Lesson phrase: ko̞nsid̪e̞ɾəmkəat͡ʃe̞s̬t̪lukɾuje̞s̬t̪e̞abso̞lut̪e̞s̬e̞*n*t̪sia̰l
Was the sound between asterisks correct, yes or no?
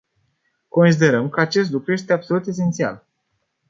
yes